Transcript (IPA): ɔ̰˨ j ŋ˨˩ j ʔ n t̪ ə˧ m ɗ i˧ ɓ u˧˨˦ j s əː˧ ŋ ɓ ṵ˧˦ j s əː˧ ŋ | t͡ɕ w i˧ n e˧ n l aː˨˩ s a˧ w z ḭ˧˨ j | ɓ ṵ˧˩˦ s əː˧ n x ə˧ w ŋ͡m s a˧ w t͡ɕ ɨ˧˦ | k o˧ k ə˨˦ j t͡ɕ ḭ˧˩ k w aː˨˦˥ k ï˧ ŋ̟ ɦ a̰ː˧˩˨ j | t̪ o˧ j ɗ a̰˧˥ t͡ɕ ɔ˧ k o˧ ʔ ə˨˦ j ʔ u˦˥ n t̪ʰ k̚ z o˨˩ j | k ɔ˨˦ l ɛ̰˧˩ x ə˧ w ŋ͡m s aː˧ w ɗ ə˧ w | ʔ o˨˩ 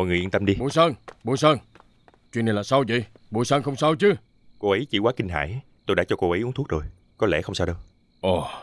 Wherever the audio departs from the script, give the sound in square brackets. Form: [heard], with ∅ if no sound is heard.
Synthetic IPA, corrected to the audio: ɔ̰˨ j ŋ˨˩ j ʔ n t̪ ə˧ m ɗ i˧ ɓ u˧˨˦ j s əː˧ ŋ ɓ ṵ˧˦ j s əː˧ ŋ | t͡ɕ w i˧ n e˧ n l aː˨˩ s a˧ w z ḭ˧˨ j | ɓ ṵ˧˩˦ s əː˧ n x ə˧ w ŋ͡m s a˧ w t͡ɕ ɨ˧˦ | k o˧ [ʔ] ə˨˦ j t͡ɕ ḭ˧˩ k w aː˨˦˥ k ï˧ ŋ̟ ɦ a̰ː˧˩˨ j | t̪ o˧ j ɗ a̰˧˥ t͡ɕ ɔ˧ k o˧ ʔ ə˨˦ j ʔ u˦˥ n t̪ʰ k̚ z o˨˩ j | k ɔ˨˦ l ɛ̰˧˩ x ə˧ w ŋ͡m s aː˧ w ɗ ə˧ w | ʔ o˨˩

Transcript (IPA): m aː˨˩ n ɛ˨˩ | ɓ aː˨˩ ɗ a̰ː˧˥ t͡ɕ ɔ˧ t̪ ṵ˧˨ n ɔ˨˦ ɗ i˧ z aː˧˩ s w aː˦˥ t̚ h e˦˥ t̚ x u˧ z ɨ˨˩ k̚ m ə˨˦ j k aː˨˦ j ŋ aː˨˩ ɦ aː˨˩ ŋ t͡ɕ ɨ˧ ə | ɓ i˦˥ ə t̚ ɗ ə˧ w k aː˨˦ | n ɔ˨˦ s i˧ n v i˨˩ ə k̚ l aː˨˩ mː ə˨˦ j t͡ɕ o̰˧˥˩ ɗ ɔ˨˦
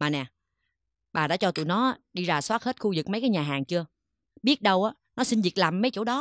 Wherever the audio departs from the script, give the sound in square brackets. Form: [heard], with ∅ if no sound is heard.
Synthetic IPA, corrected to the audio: m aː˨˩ n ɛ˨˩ | ɓ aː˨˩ ɗ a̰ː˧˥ t͡ɕ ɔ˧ t̪ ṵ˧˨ n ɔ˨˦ ɗ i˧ z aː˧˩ s w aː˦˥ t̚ h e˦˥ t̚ x u˧ z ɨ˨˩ k̚ m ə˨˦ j k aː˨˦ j [ɲ] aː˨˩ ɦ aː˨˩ ŋ t͡ɕ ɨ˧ ə | ɓ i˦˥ ə t̚ ɗ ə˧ w [ʔ] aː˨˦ | n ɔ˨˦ s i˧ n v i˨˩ ə k̚ l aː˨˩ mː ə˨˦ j t͡ɕ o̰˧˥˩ ɗ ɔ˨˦

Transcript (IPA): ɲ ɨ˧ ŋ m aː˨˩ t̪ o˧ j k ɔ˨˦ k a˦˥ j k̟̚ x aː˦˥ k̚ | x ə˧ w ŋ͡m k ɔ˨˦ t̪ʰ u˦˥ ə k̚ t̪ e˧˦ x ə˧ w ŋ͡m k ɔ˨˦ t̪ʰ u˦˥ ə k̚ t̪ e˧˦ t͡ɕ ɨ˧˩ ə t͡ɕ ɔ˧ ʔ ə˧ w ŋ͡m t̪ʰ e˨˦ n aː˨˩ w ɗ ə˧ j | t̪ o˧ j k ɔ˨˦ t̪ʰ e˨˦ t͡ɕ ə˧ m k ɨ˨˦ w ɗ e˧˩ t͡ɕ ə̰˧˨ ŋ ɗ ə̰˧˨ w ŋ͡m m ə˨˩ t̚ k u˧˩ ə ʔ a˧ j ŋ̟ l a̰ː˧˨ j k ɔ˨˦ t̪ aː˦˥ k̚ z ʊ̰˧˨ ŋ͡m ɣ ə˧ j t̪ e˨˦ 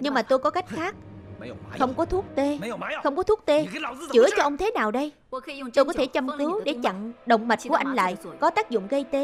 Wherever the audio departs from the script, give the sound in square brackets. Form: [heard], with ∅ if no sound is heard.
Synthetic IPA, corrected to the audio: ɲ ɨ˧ ŋ m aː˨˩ t̪ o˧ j k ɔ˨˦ k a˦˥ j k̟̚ x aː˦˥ k̚ | x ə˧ w ŋ͡m k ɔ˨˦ t̪ʰ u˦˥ ə k̚ t̪ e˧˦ x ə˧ w ŋ͡m k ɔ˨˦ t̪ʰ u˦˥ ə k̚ t̪ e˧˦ t͡ɕ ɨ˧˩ ə t͡ɕ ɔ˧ ʔ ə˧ w ŋ͡m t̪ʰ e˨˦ n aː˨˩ w ɗ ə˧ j | t̪ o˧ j k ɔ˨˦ t̪ʰ [e˧˩] t͡ɕ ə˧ m k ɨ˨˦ w ɗ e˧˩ t͡ɕ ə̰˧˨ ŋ ɗ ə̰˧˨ w ŋ͡m m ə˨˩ t̚ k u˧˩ ə ʔ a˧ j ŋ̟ l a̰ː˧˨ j k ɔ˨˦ t̪ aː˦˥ k̚ z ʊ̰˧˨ ŋ͡m ɣ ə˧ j t̪ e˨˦

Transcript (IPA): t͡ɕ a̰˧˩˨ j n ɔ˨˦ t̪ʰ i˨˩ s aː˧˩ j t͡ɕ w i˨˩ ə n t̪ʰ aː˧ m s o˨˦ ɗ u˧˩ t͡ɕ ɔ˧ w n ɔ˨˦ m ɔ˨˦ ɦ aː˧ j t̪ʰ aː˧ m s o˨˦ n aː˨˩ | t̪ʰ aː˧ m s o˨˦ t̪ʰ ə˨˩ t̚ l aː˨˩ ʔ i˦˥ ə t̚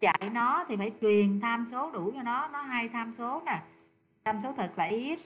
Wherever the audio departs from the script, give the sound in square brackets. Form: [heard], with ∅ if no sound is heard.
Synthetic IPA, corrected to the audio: t͡ɕ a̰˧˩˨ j n ɔ˨˦ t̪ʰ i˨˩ [f] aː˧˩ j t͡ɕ w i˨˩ ə n t̪ʰ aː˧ m s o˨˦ ɗ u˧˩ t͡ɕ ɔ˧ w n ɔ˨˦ [n] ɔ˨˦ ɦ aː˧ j t̪ʰ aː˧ m s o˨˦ n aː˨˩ | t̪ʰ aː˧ m s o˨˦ t̪ʰ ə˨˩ t̚ l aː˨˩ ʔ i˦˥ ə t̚

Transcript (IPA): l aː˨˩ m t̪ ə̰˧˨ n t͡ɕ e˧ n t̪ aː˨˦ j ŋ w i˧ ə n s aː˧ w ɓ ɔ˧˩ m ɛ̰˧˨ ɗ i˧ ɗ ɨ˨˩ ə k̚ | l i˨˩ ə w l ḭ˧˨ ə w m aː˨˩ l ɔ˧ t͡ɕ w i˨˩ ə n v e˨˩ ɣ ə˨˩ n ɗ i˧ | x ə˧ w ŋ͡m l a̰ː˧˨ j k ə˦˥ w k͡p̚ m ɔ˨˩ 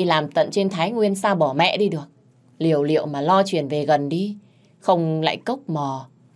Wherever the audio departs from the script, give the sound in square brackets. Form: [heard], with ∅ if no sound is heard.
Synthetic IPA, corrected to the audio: l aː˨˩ m t̪ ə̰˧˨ n t͡ɕ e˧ n [t̪ʰ] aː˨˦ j ŋ w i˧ ə n s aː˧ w ɓ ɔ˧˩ m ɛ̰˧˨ ɗ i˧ ɗ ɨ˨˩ ə k̚ | l i˨˩ ə w l ḭ˧˨ ə w m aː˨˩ l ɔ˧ t͡ɕ w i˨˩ ə n v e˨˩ ɣ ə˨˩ n ɗ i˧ | x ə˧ w ŋ͡m l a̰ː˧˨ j k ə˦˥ w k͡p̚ m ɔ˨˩

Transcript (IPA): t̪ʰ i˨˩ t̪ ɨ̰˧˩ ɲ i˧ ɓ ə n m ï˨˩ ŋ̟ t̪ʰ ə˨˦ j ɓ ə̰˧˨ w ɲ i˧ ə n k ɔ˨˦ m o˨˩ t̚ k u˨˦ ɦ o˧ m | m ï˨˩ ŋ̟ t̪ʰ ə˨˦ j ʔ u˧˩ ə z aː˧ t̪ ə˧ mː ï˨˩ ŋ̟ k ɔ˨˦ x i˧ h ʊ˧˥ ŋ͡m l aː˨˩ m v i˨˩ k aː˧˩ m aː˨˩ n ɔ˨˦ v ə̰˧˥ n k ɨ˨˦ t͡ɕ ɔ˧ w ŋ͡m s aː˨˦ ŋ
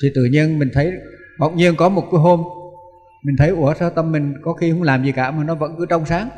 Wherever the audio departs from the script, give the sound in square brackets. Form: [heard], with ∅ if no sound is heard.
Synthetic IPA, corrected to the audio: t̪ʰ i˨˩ t̪ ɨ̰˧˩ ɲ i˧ [∅] ə n m ï˨˩ ŋ̟ t̪ʰ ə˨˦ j ɓ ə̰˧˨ w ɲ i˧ ə n k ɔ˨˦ m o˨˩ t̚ k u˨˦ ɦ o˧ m | m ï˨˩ ŋ̟ t̪ʰ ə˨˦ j ʔ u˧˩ ə [s] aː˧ t̪ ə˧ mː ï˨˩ ŋ̟ k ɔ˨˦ x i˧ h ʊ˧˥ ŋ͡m l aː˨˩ m [z] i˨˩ k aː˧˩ m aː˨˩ n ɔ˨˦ v ə̰˧˥ n k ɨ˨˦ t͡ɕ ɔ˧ w ŋ͡m s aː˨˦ ŋ

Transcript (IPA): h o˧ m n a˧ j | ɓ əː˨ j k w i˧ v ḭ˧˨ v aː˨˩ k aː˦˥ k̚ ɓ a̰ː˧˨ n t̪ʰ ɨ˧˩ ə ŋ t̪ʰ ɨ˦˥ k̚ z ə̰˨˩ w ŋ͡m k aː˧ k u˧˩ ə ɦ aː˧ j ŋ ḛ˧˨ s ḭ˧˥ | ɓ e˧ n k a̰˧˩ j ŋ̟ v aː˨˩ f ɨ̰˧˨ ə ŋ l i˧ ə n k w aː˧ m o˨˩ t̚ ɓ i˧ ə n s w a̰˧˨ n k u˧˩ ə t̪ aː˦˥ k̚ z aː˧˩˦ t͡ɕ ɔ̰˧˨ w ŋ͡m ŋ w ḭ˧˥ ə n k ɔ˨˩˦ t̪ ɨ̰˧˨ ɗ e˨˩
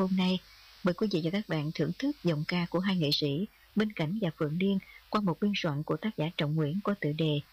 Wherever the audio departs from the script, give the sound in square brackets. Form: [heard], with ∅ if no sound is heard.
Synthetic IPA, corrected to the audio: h o˧ m n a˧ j | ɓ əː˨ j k w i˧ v ḭ˧˨ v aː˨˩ k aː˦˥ k̚ ɓ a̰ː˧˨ n t̪ʰ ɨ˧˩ ə ŋ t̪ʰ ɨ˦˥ k̚ z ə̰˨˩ w ŋ͡m k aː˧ k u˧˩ ə ɦ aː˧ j ŋ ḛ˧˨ s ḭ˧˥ | ɓ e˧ n k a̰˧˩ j ŋ̟ v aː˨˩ f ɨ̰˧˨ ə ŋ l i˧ ə n k w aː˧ m o˨˩ t̚ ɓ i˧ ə n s w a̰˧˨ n k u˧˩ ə t̪ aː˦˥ k̚ z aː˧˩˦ t͡ɕ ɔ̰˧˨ w ŋ͡m ŋ w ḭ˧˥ ə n k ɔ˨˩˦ t̪ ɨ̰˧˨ ɗ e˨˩

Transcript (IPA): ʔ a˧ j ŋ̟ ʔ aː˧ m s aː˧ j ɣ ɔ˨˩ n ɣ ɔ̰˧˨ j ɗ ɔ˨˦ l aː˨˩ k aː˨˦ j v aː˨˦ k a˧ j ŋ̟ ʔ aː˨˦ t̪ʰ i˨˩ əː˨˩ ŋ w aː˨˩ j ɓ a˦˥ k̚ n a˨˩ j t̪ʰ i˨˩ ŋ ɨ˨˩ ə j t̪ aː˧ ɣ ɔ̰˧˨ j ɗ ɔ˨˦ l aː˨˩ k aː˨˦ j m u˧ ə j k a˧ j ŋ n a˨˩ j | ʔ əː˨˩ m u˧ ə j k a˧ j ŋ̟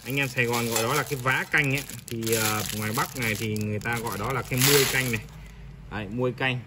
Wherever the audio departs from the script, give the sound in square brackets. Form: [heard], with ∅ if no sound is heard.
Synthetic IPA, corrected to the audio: ʔ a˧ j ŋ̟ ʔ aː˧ m s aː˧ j ɣ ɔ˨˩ n ɣ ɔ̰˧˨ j ɗ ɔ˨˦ l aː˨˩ k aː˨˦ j v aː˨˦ k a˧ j ŋ̟ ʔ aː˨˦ t̪ʰ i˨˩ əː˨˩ ŋ w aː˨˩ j ɓ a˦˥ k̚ n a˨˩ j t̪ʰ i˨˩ ŋ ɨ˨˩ ə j t̪ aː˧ ɣ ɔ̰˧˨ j ɗ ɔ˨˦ l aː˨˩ k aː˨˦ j m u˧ ə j k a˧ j ŋ n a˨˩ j | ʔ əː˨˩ m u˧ ə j k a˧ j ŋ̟

